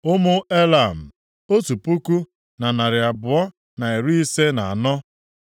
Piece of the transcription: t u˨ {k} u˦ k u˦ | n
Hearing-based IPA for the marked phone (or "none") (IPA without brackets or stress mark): p